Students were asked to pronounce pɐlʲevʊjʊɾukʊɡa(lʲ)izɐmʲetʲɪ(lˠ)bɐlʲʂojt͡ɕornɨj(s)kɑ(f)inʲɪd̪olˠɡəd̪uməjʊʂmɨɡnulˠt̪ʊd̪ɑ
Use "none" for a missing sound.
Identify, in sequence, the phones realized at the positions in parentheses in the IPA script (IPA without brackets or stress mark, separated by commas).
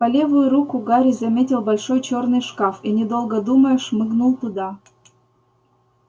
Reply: ɾʲ, lˠ, ʂ, f